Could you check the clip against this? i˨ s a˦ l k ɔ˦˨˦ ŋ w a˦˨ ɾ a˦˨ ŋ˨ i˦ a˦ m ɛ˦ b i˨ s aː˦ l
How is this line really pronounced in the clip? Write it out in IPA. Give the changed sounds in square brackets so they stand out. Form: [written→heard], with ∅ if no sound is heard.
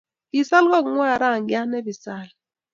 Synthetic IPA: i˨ s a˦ l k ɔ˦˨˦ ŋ w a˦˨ ɾ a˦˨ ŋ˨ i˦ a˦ [m→n] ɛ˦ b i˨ s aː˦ l